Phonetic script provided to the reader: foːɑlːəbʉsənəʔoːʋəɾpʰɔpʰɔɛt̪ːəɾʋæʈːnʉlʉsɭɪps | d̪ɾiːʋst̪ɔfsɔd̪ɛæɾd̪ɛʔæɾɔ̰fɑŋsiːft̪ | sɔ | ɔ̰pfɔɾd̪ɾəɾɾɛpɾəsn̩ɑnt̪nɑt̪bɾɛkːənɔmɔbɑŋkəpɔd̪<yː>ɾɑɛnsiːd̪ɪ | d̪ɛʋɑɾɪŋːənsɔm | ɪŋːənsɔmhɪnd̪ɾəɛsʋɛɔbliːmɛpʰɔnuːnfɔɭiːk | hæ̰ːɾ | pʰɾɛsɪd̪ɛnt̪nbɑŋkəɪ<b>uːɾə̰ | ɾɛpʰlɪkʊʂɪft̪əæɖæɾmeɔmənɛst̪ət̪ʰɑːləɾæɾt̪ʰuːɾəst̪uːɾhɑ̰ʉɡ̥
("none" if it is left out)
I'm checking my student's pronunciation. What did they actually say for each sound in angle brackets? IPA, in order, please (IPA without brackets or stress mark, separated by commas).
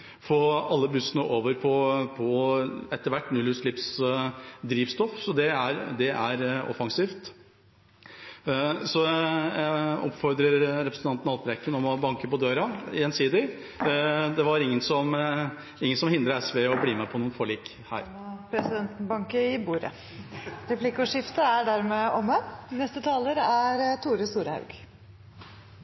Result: øː, b